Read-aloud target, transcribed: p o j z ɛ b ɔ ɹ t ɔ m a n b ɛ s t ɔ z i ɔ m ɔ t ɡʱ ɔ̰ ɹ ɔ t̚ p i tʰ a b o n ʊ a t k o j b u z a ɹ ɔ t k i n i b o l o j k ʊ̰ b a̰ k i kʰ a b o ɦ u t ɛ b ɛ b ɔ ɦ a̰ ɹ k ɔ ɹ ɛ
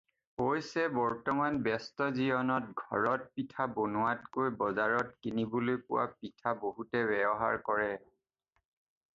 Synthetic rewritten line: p o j s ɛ b ɔ ɹ t ɔ m a n b ɛ s t ɔ z i ɔ n ɔ t ɡʱ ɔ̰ ɹ ɔ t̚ p i tʰ a b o n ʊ a t k o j b ɔ z a ɹ ɔ t k i n i b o l o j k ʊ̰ w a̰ p i tʰ a b o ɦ u t ɛ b ɛ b ɔ ɦ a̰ ɹ k ɔ ɹ ɛ